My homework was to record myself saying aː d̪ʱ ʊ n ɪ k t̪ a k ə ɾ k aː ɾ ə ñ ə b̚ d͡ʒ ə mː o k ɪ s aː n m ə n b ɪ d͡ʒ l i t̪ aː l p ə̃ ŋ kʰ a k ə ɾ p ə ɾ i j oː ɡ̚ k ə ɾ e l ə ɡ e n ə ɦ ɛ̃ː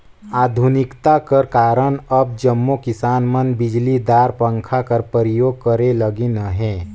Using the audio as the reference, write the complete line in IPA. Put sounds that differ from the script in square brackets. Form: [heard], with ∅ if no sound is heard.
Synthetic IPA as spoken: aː d̪ʱ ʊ n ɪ k t̪ a k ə ɾ k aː ɾ ə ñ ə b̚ d͡ʒ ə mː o k ɪ s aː n m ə n b ɪ d͡ʒ l i [d̪] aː [ɾ] p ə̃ ŋ kʰ a k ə ɾ p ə ɾ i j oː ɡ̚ k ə ɾ e l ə ɡ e n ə ɦ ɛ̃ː